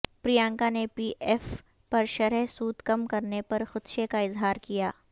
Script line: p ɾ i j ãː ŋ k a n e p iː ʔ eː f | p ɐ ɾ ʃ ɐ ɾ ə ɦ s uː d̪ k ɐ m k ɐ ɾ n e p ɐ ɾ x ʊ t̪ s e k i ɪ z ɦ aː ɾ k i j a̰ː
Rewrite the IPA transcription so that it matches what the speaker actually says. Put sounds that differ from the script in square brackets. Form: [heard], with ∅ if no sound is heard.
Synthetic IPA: p ɾ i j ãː ŋ k a n e p iː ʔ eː f | p ɐ ɾ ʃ ɐ ɾ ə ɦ s uː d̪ k ɐ m k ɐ ɾ n e p ɐ ɾ x ʊ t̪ [ʃ] e k [a] ɪ z ɦ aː ɾ k i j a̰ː